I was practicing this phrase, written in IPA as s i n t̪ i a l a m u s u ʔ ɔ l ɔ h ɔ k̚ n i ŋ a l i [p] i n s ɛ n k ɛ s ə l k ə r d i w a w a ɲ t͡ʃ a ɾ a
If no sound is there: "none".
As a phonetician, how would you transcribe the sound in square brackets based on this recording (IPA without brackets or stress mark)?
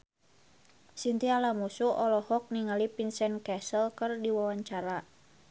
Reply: p